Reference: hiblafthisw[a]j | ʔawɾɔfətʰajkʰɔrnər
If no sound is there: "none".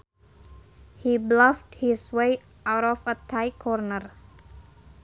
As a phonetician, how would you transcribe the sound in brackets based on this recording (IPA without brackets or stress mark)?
e